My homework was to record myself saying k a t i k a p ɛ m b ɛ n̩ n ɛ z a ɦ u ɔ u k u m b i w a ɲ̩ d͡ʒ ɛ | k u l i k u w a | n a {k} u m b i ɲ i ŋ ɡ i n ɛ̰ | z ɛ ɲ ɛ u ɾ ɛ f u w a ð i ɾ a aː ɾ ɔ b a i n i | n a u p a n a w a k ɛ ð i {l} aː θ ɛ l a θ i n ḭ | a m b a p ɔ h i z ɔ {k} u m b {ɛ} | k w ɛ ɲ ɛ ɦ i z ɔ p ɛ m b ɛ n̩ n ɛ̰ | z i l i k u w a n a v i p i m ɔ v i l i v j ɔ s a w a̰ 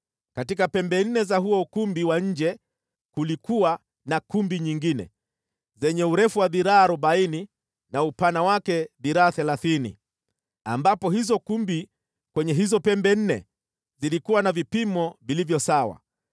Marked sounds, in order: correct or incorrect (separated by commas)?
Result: correct, incorrect, correct, incorrect